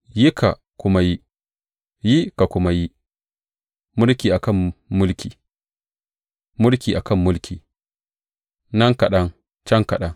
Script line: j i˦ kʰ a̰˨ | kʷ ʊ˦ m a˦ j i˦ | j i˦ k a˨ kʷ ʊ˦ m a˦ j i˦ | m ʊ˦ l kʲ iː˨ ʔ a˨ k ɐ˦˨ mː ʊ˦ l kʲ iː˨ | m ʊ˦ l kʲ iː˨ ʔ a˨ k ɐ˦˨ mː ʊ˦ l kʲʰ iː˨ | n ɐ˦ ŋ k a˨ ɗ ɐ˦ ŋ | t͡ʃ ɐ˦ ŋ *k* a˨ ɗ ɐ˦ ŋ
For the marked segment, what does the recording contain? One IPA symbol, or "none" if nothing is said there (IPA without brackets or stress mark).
k